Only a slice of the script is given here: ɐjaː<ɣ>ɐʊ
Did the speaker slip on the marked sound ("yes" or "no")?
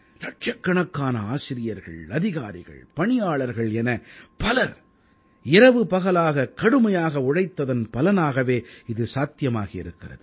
no